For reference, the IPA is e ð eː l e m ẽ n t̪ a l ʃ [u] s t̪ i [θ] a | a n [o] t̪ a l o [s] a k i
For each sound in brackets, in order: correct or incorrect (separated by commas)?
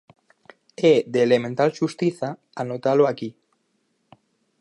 correct, correct, correct, incorrect